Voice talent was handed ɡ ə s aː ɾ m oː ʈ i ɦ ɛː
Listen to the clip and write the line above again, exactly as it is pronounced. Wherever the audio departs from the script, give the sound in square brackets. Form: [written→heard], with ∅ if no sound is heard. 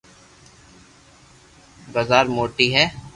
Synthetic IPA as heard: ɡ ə [s→z] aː ɾ m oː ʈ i ɦ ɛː